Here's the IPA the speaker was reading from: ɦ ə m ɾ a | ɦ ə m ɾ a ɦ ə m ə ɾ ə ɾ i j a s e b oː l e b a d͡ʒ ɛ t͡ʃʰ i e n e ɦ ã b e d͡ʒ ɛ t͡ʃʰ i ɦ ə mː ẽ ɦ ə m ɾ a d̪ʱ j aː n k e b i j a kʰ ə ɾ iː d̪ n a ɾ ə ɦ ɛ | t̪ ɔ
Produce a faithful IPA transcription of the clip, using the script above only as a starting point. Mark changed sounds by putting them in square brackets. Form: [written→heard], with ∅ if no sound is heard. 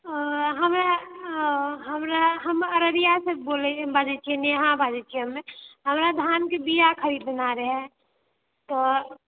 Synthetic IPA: ɦ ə m ɾ a | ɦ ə m ɾ a ɦ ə m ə ɾ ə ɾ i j a s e b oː l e b a d͡ʒ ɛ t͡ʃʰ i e n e ɦ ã b [e→a] d͡ʒ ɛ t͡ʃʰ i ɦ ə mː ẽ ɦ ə m ɾ a d̪ʱ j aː n k e b i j a kʰ ə ɾ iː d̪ n a ɾ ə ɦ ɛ | t̪ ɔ